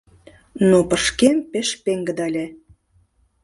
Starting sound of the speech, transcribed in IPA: n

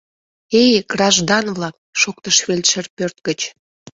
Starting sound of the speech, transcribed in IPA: e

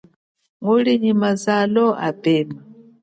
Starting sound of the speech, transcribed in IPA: ŋ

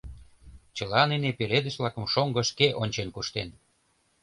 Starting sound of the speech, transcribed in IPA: t͡ɕ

